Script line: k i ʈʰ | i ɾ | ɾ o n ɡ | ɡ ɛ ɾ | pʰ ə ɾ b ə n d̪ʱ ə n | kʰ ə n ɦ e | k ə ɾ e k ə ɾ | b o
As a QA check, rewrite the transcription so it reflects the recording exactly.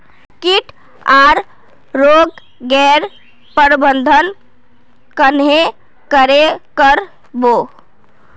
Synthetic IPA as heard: k i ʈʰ | a ɾ | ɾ o ɡ | ɡ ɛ ɾ | p ə ɾ b ə n d̪ʱ ə n | k ə n ɦ e | k ə ɾ e k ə ɾ | b o